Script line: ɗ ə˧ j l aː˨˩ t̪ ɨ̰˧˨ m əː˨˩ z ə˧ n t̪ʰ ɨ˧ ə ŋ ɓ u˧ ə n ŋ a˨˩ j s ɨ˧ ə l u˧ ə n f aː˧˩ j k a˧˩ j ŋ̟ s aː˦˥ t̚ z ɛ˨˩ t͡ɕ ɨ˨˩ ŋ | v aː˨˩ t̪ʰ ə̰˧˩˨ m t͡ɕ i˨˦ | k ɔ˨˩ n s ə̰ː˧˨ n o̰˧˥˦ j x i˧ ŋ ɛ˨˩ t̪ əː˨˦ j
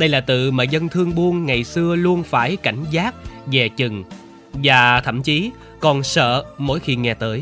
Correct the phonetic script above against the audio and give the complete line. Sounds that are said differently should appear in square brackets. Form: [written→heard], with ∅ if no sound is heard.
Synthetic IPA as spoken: ɗ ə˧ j l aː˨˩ t̪ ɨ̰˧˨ m [əː˨˩→aː˨˩] z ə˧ n t̪ʰ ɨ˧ ə ŋ ɓ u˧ ə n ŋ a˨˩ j s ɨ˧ ə l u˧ ə n f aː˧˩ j k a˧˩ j ŋ̟ [s→z] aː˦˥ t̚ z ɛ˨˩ t͡ɕ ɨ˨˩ ŋ | v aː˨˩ t̪ʰ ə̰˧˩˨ m t͡ɕ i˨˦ | k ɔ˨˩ n s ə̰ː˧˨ [n→m] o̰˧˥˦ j x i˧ ŋ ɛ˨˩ t̪ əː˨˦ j